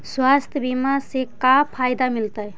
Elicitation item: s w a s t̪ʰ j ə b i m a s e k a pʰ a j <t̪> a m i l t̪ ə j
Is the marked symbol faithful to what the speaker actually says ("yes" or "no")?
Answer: no